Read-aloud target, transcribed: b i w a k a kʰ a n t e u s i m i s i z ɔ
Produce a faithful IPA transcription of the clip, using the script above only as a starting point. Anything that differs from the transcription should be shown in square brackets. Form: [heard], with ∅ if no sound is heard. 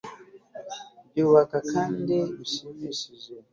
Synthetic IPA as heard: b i w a k a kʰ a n [d] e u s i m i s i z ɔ